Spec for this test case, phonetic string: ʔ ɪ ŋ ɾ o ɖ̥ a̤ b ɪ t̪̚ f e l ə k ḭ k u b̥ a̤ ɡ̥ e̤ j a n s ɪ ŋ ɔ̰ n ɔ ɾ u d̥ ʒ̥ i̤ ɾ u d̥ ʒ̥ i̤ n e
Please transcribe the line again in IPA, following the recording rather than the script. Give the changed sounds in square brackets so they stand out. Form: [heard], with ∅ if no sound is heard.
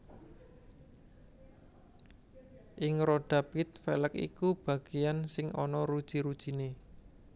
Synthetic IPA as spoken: ʔ ɪ ŋ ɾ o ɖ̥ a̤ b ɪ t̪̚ f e l ə k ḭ k u b̥ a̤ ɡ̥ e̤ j a n s ɪ ŋ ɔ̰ n ɔ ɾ u d̥ ʒ̥ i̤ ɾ u d̥ ʒ̥ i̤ n e